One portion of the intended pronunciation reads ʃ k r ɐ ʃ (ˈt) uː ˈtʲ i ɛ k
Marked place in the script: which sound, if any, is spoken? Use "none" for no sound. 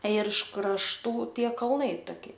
t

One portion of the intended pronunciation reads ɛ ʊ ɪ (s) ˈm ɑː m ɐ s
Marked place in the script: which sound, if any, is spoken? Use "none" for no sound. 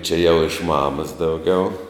ʃ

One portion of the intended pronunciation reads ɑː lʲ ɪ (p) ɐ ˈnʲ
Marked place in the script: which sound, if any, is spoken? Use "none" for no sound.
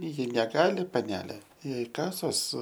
p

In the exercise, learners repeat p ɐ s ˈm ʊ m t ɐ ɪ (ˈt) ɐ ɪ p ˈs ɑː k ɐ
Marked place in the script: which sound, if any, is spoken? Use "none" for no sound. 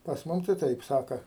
t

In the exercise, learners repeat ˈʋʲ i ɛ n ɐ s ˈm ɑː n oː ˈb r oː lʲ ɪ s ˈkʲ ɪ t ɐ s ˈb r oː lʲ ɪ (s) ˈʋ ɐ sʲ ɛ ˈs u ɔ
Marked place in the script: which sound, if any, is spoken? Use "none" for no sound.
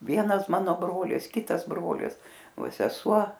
s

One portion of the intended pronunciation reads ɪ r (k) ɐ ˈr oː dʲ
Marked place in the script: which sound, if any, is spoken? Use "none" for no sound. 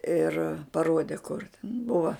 p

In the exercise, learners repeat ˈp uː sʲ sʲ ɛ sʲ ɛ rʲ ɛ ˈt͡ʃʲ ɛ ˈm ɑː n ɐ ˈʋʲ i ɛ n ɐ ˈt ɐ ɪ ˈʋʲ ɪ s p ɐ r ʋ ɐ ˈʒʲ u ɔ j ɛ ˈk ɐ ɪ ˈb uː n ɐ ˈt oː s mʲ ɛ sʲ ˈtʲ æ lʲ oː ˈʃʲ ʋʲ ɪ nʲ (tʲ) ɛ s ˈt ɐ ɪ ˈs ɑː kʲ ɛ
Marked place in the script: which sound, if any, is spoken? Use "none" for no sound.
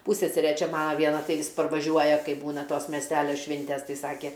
tʲ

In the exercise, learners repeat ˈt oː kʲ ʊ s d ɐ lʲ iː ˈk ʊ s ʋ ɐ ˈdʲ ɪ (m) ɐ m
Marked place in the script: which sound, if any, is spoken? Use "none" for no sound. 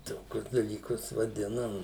n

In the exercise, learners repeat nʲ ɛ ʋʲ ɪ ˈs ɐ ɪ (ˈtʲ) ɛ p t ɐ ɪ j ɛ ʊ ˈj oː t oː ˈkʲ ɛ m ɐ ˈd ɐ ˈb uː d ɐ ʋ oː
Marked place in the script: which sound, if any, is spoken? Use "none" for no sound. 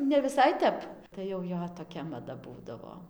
tʲ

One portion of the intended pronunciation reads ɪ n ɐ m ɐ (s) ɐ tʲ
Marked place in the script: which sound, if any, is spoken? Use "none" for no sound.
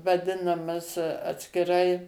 s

